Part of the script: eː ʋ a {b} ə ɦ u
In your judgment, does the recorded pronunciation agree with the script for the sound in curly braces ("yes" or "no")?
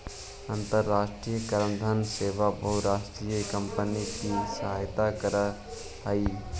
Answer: yes